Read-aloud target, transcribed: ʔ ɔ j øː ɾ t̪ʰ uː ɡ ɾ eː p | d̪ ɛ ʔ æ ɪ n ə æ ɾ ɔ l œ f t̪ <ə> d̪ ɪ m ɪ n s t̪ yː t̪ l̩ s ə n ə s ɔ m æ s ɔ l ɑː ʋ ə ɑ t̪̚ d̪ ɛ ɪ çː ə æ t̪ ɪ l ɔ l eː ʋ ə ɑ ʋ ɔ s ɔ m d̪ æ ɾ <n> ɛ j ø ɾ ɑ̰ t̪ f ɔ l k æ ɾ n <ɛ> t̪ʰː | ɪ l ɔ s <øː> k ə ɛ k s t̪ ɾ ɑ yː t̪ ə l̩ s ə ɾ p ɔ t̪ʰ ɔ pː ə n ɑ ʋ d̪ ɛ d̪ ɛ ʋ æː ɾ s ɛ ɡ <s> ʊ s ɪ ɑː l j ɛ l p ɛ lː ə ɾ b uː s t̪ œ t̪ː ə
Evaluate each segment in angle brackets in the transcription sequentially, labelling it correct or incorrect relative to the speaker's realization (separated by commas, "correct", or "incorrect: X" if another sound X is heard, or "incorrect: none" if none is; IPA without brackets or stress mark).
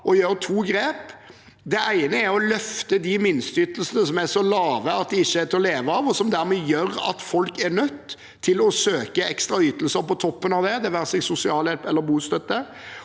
correct, incorrect: m, incorrect: œ, correct, correct